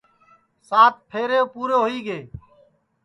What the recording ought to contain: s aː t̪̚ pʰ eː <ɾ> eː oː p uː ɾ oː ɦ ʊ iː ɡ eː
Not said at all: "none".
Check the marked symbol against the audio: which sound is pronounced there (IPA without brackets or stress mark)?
ɾ